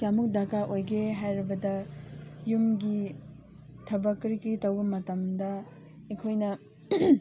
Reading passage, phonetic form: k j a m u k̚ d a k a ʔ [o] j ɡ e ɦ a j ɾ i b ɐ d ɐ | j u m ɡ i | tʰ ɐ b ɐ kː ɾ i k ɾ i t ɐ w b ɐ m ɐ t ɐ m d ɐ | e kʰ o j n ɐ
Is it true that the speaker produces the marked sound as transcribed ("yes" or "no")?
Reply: yes